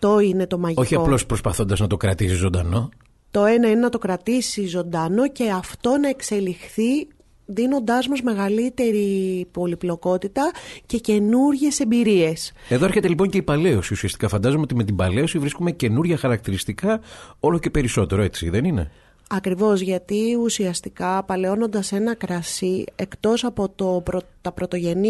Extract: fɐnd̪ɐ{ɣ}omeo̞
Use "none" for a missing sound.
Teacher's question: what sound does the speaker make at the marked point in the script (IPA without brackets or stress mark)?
z